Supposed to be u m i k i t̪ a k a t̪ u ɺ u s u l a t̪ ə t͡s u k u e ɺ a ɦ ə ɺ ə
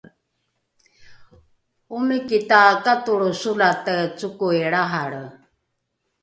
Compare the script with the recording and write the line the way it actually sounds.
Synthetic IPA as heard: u m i k i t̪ a k a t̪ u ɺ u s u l a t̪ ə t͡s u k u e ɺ a ɦ a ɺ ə